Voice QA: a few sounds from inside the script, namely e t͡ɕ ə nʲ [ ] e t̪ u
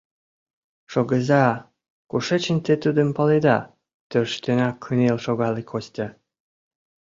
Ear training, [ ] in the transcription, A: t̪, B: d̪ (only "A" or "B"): A